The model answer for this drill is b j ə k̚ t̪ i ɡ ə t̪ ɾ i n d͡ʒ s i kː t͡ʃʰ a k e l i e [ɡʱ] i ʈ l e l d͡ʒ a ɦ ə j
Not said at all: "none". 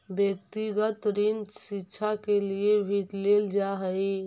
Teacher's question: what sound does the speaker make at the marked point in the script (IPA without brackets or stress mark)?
bʱ